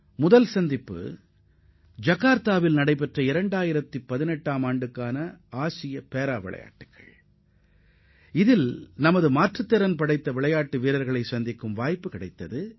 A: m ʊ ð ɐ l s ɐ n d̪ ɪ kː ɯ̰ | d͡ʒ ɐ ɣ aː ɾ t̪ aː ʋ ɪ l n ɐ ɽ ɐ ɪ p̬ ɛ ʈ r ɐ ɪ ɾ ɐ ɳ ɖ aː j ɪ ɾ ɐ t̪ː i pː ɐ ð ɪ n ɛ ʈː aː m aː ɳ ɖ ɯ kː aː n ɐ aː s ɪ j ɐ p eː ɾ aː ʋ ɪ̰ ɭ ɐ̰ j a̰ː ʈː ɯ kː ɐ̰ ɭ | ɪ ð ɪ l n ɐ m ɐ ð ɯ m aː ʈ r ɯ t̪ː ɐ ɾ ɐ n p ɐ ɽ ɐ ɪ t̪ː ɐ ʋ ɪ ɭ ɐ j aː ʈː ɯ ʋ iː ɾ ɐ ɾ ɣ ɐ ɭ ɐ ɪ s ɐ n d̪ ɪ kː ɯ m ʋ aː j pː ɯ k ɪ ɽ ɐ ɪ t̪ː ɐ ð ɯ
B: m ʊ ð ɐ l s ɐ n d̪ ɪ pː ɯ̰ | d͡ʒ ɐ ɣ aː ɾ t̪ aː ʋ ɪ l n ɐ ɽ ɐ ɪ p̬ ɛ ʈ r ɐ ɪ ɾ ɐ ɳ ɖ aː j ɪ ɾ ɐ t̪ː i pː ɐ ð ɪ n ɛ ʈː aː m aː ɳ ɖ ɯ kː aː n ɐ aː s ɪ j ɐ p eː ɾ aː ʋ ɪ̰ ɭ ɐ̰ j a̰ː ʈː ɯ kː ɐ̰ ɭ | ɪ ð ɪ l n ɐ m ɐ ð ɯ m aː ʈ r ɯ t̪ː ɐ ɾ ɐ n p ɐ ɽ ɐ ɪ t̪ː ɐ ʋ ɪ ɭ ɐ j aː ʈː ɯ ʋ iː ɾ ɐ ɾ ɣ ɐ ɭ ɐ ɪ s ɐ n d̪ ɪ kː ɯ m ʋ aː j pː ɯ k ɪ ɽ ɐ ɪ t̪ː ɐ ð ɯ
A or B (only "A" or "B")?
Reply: B